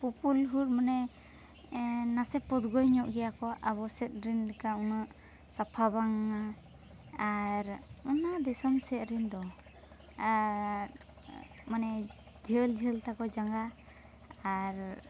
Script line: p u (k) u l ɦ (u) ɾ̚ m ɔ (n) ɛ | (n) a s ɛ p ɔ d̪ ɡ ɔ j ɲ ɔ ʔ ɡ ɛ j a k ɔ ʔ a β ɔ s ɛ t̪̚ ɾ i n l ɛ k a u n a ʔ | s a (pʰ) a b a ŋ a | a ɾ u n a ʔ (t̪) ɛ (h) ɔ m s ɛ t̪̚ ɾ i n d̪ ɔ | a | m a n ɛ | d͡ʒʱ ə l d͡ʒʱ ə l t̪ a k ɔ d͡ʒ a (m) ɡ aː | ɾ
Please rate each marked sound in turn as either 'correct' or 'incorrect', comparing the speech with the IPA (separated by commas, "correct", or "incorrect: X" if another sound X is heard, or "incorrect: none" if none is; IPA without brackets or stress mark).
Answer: incorrect: p, correct, correct, correct, correct, incorrect: d̪, incorrect: s, incorrect: ŋ